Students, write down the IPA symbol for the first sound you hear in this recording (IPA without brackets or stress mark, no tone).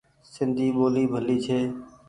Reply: s